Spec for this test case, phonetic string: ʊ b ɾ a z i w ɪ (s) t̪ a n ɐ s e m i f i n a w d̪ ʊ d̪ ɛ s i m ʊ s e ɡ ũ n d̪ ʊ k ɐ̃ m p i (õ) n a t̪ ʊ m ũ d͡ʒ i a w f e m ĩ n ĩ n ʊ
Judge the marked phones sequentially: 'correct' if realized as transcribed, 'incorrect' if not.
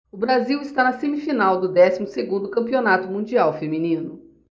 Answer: correct, incorrect

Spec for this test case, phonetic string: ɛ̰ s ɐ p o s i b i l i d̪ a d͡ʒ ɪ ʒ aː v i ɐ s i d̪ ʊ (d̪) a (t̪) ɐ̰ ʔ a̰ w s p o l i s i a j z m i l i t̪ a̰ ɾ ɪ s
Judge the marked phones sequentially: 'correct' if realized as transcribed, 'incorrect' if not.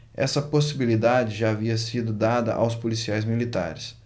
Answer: correct, incorrect

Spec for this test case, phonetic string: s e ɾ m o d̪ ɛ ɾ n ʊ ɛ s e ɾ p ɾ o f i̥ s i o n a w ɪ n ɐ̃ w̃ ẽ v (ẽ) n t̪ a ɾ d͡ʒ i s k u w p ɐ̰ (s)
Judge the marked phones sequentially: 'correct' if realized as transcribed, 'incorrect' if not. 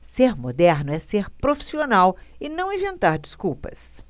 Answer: correct, correct

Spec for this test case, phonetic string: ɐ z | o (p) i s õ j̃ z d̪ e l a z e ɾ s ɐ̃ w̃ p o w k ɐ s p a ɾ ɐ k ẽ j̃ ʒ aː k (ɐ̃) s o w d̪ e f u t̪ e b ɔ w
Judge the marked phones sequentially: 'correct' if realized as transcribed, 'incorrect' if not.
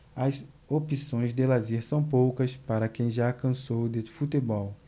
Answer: correct, correct

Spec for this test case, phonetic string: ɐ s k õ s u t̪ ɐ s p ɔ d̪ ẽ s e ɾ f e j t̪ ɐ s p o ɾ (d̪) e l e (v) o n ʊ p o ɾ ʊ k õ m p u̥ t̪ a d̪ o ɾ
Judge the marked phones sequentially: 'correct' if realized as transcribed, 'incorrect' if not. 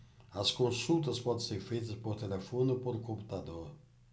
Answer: incorrect, incorrect

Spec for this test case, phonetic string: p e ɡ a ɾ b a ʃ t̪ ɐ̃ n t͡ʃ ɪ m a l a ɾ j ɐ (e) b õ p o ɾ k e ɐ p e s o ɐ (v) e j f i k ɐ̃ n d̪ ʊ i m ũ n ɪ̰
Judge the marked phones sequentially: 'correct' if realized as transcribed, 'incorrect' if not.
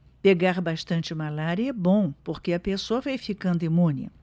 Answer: incorrect, correct

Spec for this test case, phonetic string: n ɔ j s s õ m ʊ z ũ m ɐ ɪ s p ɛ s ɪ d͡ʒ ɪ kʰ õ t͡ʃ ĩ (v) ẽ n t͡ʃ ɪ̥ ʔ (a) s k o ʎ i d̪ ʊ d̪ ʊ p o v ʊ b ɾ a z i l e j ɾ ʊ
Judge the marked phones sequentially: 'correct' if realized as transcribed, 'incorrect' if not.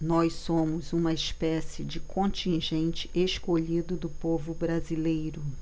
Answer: incorrect, incorrect

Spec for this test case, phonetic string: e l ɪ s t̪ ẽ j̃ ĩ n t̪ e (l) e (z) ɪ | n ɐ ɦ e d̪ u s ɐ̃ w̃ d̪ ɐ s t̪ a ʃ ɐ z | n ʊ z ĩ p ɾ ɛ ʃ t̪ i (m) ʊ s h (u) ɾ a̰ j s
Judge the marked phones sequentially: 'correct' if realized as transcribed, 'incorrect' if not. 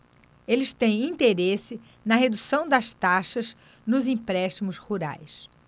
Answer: incorrect, incorrect, correct, correct

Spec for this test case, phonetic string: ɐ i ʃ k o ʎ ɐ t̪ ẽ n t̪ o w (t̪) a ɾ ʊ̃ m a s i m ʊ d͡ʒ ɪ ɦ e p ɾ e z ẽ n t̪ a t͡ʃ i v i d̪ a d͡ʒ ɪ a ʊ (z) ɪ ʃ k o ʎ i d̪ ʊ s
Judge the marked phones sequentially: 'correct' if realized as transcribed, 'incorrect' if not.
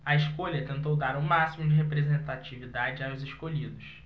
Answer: incorrect, correct

